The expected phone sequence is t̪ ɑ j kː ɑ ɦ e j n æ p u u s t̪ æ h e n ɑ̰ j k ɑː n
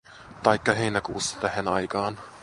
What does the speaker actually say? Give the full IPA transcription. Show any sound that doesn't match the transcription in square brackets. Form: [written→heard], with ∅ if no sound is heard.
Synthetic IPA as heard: t̪ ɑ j kː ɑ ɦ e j n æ [p→k] u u s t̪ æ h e n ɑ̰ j k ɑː n